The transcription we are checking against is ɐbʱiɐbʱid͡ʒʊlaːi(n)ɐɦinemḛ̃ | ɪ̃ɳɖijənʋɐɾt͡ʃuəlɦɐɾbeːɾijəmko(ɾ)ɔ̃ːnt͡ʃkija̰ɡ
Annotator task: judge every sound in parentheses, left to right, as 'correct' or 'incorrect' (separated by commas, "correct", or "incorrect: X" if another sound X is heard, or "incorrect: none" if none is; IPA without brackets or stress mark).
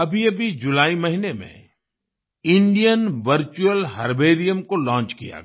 incorrect: m, incorrect: l